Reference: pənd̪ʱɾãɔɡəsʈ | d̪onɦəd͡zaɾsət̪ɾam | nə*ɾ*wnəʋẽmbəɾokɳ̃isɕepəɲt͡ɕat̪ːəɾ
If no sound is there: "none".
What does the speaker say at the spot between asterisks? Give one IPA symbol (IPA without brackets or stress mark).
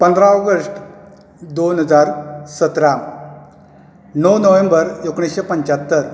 none